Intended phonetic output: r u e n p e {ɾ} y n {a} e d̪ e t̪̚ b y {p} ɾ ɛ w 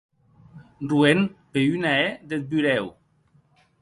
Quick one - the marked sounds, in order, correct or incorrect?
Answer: incorrect: none, correct, incorrect: none

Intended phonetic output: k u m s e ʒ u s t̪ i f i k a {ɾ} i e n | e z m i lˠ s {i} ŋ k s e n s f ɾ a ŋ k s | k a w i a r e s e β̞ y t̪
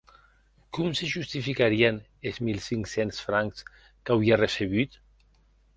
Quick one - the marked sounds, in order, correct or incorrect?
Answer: correct, correct

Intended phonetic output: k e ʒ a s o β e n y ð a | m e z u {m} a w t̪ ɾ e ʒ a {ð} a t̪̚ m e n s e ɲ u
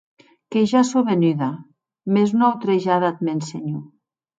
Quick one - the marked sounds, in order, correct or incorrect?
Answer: incorrect: n, correct

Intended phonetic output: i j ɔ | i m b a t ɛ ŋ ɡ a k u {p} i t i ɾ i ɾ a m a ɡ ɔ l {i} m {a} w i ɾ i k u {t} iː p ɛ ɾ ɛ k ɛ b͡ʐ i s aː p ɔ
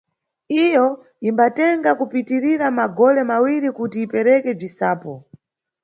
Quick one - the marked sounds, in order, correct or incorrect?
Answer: correct, incorrect: ɛ, correct, correct

